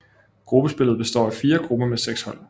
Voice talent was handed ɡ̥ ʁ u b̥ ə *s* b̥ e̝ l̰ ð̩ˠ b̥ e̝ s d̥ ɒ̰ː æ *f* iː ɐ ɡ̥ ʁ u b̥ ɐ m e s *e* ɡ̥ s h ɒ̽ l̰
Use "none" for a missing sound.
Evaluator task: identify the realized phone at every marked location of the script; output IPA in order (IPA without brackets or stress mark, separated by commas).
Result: s, f, e